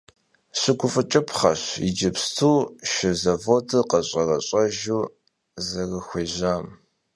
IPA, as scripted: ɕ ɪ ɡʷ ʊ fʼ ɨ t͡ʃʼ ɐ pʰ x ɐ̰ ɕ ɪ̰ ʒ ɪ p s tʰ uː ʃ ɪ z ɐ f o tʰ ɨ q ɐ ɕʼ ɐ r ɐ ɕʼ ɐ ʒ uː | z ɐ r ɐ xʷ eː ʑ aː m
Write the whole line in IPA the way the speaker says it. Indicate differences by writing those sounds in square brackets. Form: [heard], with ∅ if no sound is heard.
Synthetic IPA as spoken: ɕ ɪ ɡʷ ʊ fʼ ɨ t͡ʃʼ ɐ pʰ [χ] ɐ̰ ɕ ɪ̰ [d͡ʒ] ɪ p s tʰ uː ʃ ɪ z ɐ [v] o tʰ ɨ q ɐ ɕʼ ɐ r ɐ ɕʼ ɐ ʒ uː | z ɐ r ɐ xʷ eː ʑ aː m